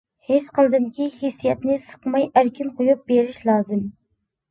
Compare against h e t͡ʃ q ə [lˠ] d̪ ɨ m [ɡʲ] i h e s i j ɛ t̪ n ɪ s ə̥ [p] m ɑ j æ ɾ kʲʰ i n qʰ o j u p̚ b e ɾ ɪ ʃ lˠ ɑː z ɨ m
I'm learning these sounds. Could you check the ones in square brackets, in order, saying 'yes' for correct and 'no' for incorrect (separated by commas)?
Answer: yes, no, no